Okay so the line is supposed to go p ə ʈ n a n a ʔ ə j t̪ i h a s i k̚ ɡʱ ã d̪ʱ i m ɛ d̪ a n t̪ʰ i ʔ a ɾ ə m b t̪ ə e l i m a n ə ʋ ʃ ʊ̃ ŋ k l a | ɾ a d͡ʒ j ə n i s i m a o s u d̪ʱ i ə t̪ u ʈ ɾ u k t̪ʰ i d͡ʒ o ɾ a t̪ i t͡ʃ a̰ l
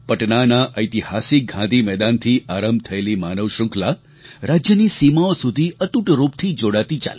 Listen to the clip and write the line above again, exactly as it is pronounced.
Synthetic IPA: p ə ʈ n a n a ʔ ə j t̪ i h a s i k̚ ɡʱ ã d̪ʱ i m ɛ d̪ a n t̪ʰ i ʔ a ɾ ə m b t̪ʰ ə e l i m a n ə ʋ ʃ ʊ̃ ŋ k l a | ɾ a d͡ʒ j ə n i s i m a o s u d̪ʱ i ə t̪ u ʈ ɾ u p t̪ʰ i d͡ʒ o ɽ a t̪ i t͡ʃ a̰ l